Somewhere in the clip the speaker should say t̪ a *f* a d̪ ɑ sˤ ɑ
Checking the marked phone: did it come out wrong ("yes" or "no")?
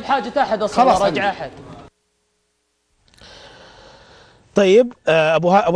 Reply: yes